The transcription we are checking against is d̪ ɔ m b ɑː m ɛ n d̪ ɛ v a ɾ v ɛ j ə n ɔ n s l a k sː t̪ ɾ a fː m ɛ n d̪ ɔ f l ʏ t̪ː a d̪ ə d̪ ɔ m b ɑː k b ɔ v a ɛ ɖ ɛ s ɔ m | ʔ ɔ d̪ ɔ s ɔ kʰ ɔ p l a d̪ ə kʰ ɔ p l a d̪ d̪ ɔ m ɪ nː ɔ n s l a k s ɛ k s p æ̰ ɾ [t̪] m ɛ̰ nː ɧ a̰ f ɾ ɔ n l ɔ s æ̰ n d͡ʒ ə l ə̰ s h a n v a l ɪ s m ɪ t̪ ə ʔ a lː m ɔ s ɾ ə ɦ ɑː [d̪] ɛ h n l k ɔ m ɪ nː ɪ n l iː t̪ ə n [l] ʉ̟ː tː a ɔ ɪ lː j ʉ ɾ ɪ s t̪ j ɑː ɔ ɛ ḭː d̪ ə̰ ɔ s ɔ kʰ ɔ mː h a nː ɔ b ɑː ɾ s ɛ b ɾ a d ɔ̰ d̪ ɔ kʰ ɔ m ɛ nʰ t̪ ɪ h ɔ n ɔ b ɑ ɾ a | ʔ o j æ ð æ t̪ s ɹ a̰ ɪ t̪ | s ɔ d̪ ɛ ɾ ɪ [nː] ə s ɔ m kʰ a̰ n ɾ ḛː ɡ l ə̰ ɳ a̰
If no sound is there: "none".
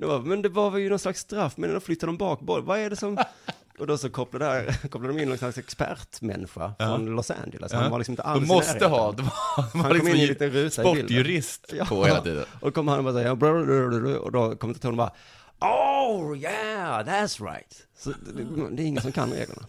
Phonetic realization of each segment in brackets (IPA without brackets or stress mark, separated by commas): t̪, d̪, ɾ, ŋː